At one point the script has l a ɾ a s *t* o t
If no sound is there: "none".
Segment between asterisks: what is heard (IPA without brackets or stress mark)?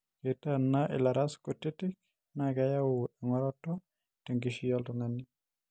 k